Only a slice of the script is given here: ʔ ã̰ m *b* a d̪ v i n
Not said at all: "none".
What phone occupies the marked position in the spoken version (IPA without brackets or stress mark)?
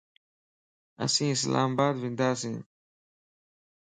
b